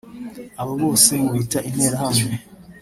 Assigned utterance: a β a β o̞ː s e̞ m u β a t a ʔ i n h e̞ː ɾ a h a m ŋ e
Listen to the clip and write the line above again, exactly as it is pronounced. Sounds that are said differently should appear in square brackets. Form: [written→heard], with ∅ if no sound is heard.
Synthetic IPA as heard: a β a β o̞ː s e̞ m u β [a→i] t a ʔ i n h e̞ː ɾ a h a m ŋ e